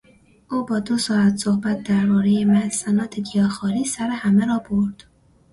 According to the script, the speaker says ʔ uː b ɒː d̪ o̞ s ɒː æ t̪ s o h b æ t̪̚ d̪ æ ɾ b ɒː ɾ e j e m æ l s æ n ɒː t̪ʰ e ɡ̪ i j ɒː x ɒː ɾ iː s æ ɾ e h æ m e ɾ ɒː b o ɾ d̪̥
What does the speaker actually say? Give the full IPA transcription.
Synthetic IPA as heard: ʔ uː b ɒː d̪ o̞ s ɒː æ t̪ s o h b æ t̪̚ d̪ æ ɾ b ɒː ɾ e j e m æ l s æ n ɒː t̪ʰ e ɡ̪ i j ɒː x ɒː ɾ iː s æ ɾ e h æ m e ɾ ɒː b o ɾ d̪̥